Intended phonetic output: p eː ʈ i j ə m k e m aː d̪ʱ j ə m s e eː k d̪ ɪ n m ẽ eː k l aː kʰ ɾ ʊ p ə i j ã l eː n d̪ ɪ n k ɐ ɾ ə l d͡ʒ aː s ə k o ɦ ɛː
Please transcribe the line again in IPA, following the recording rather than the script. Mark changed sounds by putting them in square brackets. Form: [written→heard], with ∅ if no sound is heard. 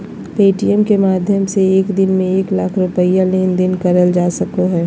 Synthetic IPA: p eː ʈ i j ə m k e m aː d̪ʱ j ə m s e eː k d̪ ɪ n m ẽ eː k l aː kʰ ɾ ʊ p ə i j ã l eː n d̪ ɪ n k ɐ ɾ ə l d͡ʒ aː s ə k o ɦ ɛː